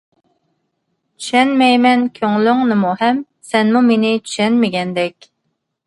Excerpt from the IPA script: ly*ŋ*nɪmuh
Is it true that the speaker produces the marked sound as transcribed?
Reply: yes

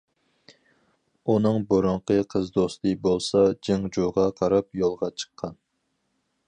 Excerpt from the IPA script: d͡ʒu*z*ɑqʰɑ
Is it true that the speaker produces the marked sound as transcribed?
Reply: no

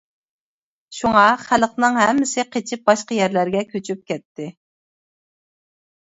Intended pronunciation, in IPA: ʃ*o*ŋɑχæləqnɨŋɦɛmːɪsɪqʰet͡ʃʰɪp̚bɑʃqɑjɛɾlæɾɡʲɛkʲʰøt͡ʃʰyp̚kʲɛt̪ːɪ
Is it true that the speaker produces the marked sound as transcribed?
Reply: no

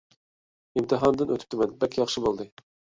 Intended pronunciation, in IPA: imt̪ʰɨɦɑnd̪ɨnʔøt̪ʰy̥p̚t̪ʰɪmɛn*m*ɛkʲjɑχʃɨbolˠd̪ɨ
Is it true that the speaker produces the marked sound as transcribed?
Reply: no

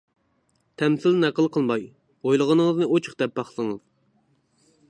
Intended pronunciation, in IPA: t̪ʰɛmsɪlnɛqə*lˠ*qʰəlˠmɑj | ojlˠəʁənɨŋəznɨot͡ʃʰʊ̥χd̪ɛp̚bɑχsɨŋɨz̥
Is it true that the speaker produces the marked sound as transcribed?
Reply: yes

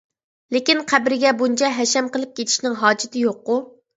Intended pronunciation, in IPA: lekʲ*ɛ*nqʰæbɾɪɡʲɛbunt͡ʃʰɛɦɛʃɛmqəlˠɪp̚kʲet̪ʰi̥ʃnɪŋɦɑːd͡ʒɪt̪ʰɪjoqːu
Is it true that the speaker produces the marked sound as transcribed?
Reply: no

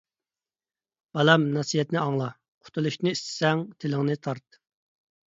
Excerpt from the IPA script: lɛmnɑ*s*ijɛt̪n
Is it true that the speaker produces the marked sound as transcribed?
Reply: yes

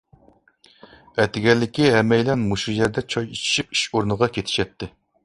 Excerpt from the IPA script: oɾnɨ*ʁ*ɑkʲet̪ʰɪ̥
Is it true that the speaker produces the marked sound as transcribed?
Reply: yes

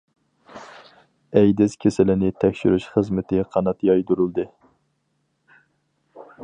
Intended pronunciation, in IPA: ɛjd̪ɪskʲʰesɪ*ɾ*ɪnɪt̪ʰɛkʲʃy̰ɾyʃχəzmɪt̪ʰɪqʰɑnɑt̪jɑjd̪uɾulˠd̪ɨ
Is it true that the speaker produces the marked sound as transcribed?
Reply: no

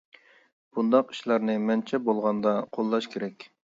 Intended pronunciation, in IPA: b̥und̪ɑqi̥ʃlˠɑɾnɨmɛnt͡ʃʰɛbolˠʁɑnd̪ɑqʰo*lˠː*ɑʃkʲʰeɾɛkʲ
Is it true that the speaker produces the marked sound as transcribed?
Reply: yes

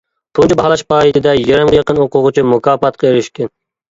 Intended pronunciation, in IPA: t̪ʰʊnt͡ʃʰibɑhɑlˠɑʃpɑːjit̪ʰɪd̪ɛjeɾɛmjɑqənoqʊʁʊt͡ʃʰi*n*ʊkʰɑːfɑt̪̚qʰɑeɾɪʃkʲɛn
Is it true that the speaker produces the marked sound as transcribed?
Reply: no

